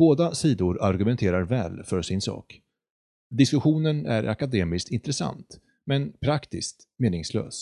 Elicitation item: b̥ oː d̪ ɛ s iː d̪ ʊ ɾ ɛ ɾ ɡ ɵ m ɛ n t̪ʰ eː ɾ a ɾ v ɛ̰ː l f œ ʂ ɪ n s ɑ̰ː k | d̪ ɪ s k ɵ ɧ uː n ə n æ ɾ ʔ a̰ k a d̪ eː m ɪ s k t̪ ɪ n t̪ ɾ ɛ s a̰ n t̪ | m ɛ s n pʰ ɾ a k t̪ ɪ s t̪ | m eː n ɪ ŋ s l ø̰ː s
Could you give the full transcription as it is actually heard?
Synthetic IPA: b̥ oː d̪ a s iː d̪ ʊ ɾ a ɾ ɡ ɵ m ɛ n t̪ʰ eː ɾ a ɾ v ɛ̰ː l f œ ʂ ɪ n s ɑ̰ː k | d̪ ɪ s k ɵ ɧ uː n ə n æ ɾ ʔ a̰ k a d̪ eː m ɪ s k t̪ ɪ n t̪ ɾ ɛ s a̰ n t̪ | m ɛ n pʰ ɾ a k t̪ ɪ s t̪ | m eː n ɪ ŋ s l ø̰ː s